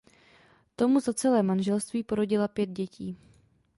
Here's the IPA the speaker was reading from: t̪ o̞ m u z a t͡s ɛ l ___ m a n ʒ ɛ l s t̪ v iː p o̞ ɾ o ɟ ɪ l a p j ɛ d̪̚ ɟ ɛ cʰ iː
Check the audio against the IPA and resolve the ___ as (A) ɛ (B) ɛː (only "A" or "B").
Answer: B